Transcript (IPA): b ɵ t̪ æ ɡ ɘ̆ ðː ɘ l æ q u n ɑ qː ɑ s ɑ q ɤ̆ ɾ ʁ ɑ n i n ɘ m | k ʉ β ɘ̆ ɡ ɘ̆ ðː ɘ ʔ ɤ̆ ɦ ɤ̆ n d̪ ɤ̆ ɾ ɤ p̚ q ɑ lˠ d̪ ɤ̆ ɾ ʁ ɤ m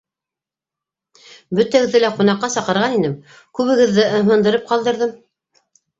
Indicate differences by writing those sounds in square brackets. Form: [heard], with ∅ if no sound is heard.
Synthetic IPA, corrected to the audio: b ɵ t̪ æ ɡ ɘ̆ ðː ɘ l æ q u n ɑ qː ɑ s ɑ q ɤ̆ ɾ ʁ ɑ n i n ɘ m | k ʉ β ɘ̆ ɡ ɘ̆ ðː ɘ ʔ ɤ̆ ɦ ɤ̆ n d̪ ɤ̆ ɾ ɤ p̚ q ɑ lˠ d̪ ɤ̆ ɾ [ð] ɤ m